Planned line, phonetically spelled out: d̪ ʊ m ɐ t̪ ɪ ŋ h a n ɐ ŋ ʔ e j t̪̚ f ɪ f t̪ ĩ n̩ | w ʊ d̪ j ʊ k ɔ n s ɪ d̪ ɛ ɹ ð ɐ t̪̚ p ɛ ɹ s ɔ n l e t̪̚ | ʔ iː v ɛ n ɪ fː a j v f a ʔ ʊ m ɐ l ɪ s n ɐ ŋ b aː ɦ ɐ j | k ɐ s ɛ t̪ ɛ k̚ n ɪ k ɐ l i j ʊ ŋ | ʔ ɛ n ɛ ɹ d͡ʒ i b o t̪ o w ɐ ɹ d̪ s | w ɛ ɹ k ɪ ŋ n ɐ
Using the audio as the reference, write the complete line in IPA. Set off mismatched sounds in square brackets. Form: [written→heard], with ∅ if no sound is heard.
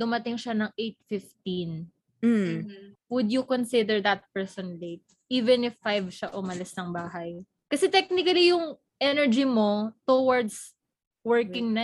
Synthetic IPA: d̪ ʊ m ɐ t̪ ɪ ŋ [h→ʃ] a n ɐ ŋ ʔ e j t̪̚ f ɪ f t̪ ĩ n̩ | w ʊ d̪ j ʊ k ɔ n s ɪ d̪ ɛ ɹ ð ɐ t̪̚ p ɛ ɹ s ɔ n l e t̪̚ | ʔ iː v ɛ n ɪ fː a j v [f→ʃ] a ʔ ʊ m ɐ l ɪ s n ɐ ŋ b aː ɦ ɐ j | k ɐ s ɛ t̪ ɛ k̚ n ɪ k ɐ l i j ʊ ŋ | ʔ ɛ n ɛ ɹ d͡ʒ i [b→m] o t̪ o w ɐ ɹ d̪ s | w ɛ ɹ k ɪ ŋ n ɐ